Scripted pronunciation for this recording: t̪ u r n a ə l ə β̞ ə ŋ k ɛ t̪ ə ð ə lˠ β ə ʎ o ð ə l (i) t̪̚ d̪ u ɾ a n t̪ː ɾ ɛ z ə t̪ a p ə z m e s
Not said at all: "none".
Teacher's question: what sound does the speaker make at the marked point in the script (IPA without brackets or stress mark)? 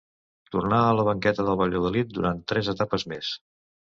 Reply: i